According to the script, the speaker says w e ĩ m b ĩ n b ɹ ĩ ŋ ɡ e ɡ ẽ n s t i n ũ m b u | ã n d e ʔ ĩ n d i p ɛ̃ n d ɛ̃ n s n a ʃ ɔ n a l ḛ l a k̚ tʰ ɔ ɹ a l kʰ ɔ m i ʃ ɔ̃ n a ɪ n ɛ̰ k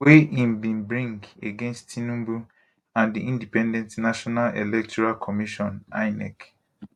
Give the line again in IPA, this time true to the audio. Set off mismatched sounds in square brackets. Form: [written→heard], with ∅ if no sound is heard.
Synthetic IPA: w e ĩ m b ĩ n b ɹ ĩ ŋ ɡ e ɡ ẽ n s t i n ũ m b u | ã n d [e→i] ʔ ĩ n d i p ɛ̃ n d ɛ̃ n [s→t] n a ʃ ɔ n a l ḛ l [a→ɛ] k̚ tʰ ɔ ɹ a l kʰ ɔ m i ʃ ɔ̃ n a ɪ n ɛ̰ k